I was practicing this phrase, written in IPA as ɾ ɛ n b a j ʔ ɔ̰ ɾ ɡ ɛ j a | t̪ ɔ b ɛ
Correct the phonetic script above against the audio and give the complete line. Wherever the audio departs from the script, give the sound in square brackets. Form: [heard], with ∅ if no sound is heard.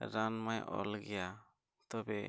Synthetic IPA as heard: ɾ [a] n [m] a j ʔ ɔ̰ [l] ɡ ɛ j a | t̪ ɔ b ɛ